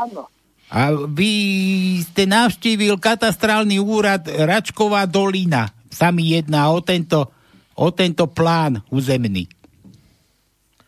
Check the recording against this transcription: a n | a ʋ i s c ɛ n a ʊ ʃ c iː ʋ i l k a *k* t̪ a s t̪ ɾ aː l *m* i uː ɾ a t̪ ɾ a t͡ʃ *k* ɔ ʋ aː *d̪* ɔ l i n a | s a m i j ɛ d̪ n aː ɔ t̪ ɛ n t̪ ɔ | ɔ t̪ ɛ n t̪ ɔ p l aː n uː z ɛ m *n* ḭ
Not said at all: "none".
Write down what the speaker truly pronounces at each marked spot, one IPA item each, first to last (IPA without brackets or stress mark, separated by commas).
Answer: none, n, k, d̪, n